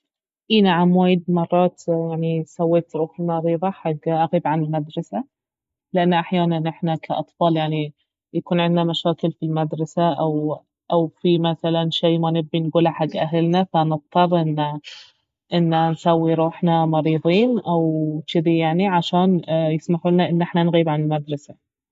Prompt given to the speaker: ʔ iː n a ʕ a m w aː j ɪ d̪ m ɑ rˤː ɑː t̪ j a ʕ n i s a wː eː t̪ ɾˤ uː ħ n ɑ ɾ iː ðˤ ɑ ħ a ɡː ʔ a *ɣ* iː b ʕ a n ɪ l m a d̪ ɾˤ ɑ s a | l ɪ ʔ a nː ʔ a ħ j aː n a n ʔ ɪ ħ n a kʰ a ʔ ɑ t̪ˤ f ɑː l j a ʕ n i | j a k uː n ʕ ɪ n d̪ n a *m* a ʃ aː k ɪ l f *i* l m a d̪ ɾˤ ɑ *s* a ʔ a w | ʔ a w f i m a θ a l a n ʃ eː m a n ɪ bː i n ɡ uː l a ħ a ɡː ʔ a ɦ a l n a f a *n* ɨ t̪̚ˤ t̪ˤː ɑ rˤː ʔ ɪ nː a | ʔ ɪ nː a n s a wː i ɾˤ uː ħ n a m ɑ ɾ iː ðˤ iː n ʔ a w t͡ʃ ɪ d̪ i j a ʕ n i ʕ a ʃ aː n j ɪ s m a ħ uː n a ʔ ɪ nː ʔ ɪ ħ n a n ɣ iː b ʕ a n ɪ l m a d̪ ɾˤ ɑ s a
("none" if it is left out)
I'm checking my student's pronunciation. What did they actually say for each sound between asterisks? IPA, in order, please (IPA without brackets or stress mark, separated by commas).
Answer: ɣ, m, i, s, n